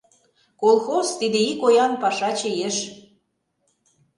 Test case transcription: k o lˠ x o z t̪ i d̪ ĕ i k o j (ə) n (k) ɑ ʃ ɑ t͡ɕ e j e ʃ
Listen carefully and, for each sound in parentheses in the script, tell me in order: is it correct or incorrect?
incorrect, incorrect

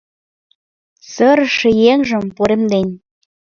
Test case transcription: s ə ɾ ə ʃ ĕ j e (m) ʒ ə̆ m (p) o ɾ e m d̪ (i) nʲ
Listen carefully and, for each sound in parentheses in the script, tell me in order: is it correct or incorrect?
incorrect, correct, incorrect

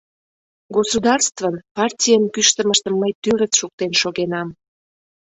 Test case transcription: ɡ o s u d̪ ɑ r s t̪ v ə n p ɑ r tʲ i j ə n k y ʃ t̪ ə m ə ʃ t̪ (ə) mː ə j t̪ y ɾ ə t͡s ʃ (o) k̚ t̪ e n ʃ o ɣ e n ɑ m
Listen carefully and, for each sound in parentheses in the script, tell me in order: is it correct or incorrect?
correct, incorrect

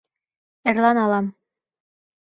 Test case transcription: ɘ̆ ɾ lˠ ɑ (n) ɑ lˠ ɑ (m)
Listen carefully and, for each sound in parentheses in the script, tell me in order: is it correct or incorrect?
correct, correct

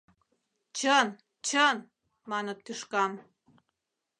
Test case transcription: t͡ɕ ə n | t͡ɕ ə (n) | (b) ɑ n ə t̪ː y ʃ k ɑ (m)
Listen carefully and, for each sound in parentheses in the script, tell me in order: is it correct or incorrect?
correct, incorrect, correct

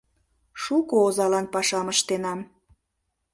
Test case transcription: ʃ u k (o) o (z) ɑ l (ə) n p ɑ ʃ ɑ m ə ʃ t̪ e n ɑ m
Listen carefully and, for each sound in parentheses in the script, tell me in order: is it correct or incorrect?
correct, correct, incorrect

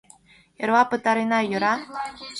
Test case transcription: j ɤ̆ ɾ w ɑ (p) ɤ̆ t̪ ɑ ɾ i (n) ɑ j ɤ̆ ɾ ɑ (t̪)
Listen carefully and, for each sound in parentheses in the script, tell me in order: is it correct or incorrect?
correct, correct, incorrect

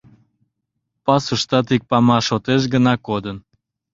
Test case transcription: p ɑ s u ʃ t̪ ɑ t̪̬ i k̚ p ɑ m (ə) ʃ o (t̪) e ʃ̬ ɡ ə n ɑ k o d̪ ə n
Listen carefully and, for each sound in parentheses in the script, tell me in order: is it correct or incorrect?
incorrect, correct

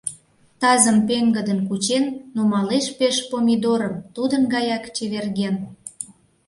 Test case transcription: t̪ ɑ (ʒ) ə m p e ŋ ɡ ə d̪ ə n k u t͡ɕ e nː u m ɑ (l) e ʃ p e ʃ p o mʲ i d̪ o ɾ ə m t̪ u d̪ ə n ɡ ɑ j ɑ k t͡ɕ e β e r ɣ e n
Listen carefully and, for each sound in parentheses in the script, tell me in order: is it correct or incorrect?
incorrect, correct

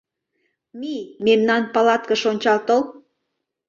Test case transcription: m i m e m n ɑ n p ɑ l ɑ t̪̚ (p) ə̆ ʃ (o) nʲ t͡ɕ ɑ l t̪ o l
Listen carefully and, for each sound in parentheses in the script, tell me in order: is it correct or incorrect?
incorrect, correct

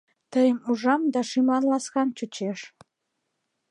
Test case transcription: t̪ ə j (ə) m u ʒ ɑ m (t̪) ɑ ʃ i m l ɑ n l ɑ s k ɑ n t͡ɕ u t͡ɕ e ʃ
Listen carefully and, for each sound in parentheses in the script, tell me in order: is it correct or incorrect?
correct, incorrect

